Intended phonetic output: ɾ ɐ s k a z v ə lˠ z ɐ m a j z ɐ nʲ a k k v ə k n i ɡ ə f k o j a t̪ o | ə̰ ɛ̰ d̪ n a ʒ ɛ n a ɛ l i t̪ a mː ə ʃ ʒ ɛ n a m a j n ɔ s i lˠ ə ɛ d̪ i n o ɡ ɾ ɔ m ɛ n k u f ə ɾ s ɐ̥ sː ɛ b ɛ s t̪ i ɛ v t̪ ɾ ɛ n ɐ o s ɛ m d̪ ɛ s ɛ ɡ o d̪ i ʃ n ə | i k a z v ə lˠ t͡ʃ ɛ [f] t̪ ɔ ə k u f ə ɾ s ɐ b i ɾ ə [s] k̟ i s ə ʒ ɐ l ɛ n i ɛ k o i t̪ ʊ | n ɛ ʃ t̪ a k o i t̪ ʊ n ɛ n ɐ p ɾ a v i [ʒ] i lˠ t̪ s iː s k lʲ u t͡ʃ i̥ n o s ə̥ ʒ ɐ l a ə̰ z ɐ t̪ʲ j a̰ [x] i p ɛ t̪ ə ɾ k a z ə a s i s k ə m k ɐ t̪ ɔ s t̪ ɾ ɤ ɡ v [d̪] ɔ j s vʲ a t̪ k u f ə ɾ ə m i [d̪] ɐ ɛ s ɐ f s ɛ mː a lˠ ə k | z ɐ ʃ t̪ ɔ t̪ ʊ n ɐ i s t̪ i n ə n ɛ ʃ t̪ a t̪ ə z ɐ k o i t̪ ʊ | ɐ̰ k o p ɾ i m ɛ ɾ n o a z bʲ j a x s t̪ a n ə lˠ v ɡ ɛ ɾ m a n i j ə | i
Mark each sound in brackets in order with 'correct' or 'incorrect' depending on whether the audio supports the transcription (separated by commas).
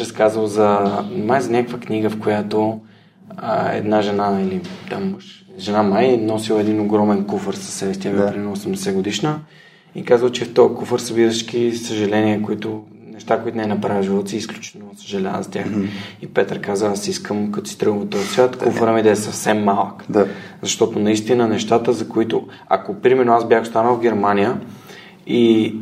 correct, incorrect, correct, correct, incorrect, correct